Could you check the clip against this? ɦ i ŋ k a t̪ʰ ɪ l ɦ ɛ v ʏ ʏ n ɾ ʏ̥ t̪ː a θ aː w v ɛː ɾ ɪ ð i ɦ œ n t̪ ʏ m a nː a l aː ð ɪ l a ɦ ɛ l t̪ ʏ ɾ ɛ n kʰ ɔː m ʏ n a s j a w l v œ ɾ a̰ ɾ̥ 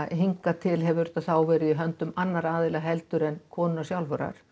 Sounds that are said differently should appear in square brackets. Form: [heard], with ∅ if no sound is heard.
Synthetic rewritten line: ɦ i ŋ k a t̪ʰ ɪ l ɦ ɛ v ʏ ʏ [∅] ɾ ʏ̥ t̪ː a θ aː w v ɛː ɾ ɪ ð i ɦ œ n t̪ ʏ m a nː a [ɾ] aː ð ɪ l a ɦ ɛ l t̪ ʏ ɾ ɛ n kʰ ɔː [n] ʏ n a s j a w l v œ ɾ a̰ ɾ̥